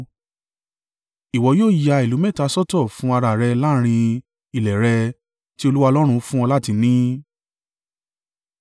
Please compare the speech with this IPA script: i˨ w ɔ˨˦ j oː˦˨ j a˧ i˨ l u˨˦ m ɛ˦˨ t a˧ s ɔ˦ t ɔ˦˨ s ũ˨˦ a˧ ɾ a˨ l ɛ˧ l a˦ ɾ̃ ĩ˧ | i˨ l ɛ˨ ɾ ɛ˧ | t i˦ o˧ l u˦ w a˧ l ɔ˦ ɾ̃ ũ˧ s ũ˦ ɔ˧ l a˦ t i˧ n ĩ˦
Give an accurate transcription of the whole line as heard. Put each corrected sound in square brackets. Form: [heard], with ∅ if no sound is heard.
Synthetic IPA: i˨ w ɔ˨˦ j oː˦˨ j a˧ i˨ l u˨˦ m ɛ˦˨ t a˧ s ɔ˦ t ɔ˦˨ [f] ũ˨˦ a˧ ɾ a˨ [ɾ] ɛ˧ l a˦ ɾ̃ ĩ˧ | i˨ l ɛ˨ ɾ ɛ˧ | t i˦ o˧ l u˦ w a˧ l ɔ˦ ɾ̃ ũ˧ [f] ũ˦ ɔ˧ l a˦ t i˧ n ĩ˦